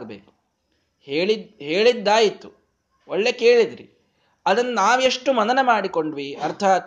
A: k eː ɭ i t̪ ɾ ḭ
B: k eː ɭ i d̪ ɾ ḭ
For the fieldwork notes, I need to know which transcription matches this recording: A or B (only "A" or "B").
B